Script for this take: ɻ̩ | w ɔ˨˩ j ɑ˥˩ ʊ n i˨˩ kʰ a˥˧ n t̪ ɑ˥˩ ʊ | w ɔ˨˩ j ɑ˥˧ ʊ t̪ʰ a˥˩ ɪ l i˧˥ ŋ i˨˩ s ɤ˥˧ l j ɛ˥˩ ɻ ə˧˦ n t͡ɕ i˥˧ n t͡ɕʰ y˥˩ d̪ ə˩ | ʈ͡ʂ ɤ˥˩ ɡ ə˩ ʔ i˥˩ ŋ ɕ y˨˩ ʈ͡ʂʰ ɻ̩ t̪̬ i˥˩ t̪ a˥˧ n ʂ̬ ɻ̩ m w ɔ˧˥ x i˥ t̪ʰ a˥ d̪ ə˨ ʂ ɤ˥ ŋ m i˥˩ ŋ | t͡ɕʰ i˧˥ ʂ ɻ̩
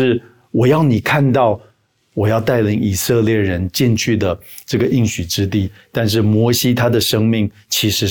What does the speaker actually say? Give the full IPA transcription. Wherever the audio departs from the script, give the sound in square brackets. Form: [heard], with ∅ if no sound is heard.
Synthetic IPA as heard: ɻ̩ | w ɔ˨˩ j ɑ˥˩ ʊ n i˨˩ kʰ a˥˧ n t̪ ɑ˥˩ ʊ | w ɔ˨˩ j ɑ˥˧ ʊ [t̪] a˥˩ ɪ l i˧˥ ŋ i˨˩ s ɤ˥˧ l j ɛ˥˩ ɻ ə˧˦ n t͡ɕ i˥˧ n t͡ɕʰ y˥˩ d̪ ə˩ | ʈ͡ʂ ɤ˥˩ ɡ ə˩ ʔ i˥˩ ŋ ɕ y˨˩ [ʈ͡ʂ] ɻ̩ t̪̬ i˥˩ t̪ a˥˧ n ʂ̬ ɻ̩ m w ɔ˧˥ [ɕ] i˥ t̪ʰ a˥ d̪ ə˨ ʂ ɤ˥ ŋ m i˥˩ ŋ | t͡ɕʰ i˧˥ ʂ ɻ̩